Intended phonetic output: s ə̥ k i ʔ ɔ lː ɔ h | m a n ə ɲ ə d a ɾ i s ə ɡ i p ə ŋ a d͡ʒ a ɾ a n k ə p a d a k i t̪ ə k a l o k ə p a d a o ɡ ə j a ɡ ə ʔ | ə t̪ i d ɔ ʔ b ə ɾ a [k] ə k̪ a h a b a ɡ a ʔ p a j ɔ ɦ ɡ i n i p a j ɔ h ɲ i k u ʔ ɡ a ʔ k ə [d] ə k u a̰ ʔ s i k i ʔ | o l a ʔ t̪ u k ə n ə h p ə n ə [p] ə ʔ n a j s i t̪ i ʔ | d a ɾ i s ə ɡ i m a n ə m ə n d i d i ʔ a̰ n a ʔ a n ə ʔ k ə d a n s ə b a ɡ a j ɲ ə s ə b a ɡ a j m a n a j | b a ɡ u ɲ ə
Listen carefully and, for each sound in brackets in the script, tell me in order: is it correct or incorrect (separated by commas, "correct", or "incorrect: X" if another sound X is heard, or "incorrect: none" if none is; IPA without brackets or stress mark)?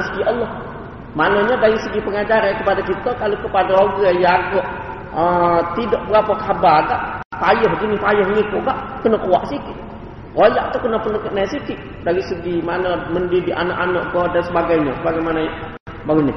incorrect: p, incorrect: n, incorrect: k